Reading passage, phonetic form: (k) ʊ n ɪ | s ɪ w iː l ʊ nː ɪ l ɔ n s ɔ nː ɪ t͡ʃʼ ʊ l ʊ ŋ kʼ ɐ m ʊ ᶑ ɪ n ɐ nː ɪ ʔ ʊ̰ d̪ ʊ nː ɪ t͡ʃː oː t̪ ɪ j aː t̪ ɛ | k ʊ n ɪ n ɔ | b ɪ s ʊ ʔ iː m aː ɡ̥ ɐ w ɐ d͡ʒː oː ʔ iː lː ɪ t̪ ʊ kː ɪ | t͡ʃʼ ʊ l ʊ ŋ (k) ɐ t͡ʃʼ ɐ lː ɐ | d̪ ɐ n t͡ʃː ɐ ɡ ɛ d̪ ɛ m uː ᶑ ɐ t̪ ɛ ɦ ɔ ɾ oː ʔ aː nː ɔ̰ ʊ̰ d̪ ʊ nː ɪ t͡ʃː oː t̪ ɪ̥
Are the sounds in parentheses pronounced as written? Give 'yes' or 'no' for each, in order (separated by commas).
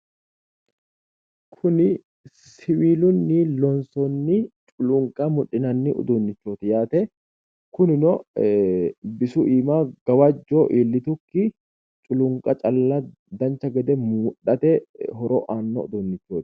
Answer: no, no